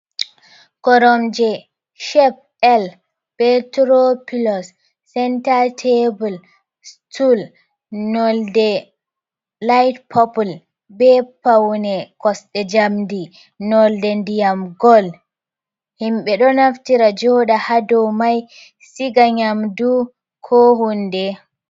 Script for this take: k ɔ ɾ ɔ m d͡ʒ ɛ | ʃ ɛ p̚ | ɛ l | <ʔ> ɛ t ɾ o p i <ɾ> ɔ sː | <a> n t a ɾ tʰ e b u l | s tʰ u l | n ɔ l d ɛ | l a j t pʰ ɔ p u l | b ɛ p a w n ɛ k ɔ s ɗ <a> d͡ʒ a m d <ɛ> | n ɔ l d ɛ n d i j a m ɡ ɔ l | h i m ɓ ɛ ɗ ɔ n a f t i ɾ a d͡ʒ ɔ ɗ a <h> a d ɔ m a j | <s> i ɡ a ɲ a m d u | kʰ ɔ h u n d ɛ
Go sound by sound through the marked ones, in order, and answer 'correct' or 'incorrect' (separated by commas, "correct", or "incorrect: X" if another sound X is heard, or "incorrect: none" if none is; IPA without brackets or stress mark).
incorrect: p, incorrect: l, incorrect: ɛ, incorrect: ɛ, incorrect: i, correct, correct